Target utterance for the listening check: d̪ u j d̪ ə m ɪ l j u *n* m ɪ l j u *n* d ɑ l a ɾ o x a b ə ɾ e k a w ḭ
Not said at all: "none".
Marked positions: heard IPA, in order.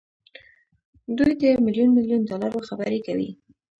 n, n

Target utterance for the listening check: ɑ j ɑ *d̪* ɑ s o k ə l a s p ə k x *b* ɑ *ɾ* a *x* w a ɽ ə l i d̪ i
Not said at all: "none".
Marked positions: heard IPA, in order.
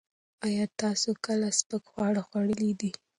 t̪, w, ɽ, x

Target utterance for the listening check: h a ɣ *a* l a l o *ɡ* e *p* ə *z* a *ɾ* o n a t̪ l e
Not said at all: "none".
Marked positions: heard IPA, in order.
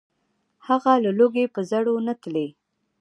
a, ɡ, p, z, ɽ

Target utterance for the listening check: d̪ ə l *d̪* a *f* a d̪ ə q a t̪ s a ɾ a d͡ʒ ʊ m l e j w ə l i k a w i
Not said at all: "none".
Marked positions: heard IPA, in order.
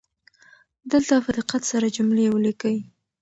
t̪, f

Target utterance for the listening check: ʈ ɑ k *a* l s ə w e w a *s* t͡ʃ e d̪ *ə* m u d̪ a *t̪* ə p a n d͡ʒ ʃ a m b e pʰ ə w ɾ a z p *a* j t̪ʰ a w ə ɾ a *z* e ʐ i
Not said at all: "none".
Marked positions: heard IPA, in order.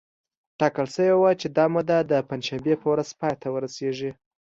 ə, none, ɑ, d̪, ɑ, s

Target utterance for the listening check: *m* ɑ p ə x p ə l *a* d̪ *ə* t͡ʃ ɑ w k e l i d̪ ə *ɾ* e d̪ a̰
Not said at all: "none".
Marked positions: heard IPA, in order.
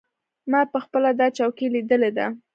m, a, ɑ, l

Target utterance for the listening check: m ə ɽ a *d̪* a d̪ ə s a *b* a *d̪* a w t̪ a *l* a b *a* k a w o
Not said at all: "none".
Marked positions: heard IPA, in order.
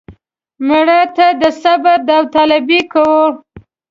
t̪, b, d̪, l, i

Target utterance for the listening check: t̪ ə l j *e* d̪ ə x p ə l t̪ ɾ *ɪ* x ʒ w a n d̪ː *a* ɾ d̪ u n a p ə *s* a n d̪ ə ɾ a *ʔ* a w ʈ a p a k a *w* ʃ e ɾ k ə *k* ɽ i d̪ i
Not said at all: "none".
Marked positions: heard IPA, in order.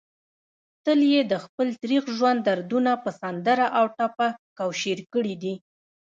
e, i, a, s, ʔ, w, none

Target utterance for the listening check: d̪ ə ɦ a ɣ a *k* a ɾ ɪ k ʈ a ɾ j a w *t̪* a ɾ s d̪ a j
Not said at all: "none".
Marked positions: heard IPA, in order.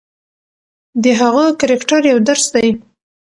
k, d̪

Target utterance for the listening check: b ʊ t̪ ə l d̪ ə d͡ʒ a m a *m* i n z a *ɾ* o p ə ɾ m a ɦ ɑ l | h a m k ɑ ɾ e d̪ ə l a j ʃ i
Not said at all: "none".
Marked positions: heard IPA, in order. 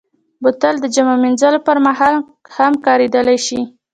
m, l

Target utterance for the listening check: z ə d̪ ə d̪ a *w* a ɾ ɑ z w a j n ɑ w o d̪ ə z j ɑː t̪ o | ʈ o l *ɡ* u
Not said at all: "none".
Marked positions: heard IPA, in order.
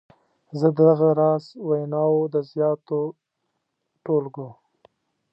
ɣ, ɡ

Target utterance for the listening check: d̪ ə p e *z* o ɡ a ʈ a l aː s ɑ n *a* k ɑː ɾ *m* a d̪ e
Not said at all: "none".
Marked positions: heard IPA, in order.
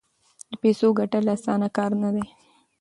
s, a, n

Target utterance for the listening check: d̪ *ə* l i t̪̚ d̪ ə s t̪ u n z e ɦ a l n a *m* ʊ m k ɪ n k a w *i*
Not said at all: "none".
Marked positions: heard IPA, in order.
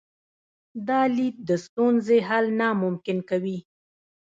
ɑ, m, i

